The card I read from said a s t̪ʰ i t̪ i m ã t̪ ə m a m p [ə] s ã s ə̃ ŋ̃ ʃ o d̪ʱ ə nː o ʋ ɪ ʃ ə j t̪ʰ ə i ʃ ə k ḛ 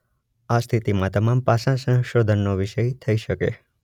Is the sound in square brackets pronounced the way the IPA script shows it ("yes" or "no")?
no